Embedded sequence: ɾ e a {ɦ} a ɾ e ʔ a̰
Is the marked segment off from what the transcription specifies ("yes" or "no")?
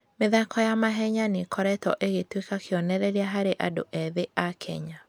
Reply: no